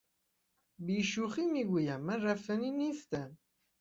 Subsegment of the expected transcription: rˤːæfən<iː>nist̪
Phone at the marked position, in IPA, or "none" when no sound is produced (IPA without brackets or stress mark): i